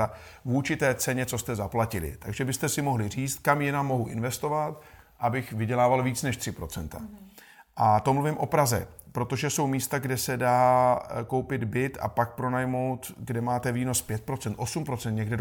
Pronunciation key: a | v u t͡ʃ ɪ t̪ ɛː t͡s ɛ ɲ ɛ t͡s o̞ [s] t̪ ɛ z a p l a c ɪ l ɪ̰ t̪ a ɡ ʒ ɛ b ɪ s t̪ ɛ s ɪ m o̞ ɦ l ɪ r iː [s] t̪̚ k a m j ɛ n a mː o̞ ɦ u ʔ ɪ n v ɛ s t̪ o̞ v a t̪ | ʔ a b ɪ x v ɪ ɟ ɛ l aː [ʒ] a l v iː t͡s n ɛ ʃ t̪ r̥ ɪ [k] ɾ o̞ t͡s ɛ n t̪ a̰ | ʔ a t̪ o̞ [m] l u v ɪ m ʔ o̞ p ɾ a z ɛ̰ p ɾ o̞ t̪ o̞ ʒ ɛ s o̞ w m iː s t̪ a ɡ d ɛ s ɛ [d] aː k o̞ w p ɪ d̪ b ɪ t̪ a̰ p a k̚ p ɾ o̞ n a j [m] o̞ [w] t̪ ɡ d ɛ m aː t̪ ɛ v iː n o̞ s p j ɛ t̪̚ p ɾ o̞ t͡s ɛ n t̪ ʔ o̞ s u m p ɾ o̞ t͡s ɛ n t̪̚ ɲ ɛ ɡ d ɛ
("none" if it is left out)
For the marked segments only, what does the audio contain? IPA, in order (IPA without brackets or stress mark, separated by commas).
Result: s, t͡s, v, p, m, d, m, w